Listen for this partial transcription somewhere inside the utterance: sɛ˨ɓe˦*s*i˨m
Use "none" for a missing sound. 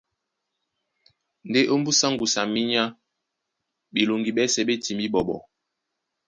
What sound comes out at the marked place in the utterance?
t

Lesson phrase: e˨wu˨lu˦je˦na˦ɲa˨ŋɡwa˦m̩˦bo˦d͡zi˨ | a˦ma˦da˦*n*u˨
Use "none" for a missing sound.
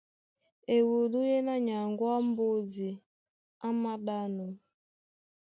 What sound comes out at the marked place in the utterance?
n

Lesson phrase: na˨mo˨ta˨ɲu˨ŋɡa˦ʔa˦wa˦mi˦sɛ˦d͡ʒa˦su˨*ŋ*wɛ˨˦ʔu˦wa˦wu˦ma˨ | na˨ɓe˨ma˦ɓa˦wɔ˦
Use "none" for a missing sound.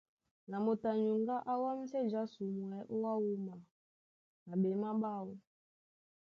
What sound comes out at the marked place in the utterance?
m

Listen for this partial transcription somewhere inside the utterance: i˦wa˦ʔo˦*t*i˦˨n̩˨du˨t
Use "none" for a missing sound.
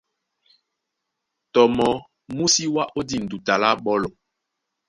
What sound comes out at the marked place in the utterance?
d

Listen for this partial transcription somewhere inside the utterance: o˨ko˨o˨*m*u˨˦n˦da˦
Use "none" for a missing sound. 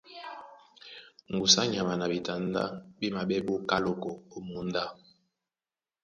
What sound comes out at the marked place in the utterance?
m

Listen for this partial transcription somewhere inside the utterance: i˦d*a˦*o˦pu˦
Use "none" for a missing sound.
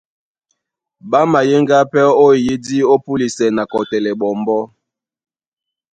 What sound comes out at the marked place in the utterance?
i˦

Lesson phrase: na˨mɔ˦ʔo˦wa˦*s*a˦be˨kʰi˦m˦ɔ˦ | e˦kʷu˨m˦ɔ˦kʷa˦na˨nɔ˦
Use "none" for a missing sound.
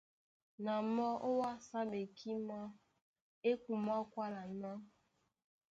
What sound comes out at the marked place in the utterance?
s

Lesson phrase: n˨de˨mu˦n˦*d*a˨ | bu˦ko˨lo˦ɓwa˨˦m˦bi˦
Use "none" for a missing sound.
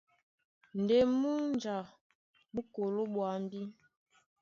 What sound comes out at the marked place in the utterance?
d͡ʒ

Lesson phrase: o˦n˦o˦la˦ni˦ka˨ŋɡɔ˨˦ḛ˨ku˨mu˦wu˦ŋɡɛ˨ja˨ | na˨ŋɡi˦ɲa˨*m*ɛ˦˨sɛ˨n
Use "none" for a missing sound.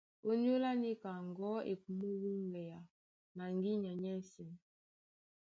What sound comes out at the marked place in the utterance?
ɲ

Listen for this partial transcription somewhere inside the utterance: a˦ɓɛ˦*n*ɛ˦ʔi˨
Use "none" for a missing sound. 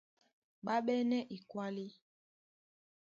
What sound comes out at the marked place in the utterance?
n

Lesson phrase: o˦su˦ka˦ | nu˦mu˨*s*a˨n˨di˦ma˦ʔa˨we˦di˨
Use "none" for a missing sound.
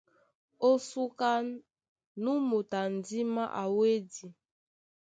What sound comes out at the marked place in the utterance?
t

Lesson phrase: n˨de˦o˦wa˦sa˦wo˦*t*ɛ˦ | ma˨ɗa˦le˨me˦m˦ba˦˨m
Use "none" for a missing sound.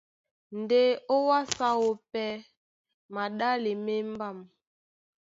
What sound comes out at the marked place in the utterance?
p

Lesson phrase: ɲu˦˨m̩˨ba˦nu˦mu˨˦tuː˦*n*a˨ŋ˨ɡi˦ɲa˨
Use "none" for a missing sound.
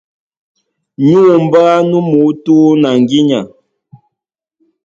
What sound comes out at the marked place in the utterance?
n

